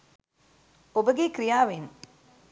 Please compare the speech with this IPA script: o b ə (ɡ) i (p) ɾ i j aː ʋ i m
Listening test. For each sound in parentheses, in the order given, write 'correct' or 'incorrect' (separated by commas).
correct, incorrect